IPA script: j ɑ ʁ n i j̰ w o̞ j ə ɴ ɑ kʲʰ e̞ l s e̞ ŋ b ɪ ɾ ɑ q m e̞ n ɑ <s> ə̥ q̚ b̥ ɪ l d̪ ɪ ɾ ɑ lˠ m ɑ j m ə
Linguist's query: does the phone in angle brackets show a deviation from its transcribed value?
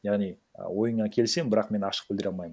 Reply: yes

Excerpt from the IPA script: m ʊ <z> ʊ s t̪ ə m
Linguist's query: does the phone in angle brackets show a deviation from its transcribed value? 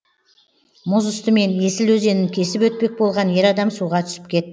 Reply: no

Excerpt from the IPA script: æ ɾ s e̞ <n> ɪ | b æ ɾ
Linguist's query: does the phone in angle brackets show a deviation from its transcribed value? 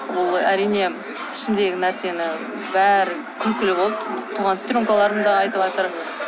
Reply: no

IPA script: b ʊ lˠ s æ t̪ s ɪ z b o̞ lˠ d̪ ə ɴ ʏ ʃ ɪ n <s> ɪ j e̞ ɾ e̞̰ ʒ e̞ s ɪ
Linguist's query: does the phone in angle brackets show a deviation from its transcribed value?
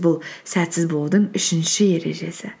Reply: yes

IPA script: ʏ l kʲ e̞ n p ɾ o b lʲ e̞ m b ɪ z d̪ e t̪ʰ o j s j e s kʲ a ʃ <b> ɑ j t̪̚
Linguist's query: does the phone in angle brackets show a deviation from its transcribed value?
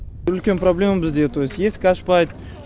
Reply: yes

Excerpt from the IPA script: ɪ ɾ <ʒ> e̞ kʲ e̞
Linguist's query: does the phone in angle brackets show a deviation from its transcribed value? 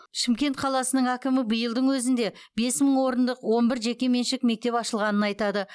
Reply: no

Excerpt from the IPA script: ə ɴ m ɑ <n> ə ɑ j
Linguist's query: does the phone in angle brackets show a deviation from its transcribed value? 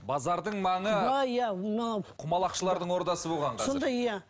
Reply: yes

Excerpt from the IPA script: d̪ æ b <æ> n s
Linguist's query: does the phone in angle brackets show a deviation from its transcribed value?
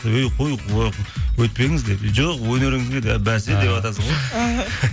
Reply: no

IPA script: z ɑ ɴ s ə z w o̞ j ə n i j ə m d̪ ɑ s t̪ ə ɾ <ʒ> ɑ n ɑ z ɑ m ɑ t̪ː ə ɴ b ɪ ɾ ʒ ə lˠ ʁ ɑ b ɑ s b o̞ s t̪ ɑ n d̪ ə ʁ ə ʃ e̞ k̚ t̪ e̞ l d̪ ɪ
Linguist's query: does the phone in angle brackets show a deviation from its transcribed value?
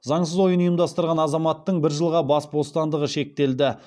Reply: yes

